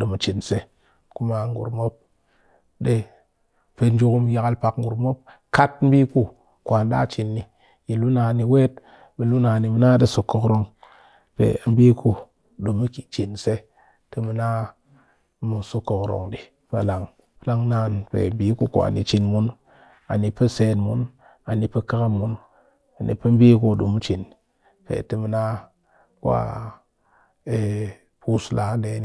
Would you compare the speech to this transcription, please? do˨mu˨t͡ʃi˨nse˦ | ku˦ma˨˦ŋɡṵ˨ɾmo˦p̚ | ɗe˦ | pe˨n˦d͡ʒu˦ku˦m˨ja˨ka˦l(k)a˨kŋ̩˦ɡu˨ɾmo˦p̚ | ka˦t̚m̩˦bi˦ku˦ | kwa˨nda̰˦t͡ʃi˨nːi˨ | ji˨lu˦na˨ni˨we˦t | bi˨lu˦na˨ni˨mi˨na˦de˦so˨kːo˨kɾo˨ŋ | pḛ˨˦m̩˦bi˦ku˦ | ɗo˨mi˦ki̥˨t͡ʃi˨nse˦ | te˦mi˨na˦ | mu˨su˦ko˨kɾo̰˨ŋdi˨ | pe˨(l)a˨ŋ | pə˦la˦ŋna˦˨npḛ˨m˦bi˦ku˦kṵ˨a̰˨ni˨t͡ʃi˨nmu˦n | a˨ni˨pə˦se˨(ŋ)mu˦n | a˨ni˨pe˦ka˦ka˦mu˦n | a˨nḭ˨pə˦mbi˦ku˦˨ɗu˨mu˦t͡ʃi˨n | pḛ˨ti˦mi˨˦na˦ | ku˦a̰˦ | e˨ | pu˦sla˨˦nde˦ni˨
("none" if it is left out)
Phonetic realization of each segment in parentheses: p, l, n

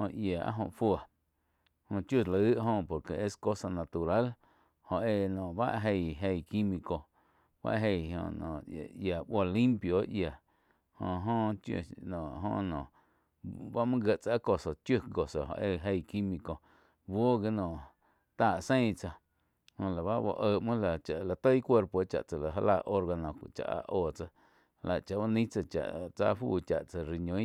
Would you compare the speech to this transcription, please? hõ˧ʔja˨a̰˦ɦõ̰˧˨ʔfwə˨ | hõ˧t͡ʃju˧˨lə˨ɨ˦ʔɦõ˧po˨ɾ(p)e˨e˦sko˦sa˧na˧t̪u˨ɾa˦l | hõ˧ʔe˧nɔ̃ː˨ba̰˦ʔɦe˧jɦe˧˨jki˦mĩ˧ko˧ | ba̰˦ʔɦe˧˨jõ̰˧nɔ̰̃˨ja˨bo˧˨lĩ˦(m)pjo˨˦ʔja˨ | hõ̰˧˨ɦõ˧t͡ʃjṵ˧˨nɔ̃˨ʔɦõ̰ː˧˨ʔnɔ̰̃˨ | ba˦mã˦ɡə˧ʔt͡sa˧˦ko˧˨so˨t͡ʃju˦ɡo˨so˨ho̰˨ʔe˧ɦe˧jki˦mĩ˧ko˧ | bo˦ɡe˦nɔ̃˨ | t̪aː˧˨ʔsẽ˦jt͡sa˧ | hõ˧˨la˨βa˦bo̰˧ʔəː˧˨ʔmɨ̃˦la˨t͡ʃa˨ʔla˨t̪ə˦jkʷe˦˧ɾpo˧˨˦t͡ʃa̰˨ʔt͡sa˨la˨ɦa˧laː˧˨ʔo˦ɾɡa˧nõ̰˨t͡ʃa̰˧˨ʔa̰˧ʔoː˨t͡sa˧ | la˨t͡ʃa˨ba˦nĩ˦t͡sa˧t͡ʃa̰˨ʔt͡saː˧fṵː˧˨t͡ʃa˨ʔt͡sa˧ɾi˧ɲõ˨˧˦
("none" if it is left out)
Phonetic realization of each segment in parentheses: k, m

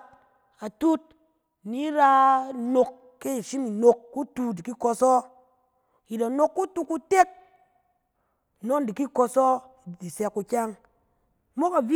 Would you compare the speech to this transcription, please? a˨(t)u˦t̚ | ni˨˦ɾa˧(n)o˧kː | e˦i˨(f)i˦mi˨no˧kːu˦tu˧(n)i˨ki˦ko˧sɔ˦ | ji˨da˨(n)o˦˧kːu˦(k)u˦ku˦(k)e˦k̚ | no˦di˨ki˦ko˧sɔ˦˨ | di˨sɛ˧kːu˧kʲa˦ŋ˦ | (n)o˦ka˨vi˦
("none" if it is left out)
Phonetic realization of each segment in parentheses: t, n, ʃ, d, n, t, t, m

